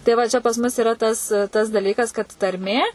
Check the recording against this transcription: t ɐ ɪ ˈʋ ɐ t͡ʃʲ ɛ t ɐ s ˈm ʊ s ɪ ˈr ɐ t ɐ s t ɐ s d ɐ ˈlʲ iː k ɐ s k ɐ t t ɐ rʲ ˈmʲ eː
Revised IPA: t ɐ ɪ ˈʋ ɐ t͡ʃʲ ɛ p ɐ s ˈm ʊ s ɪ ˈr ɐ t ɐ s t ɐ s d ɐ ˈlʲ iː k ɐ s k ɐ t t ɐ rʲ ˈmʲ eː